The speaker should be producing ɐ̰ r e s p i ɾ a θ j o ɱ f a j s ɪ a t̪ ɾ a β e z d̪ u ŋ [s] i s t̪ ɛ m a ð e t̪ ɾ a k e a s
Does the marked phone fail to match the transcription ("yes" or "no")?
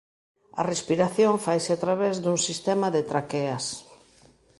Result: no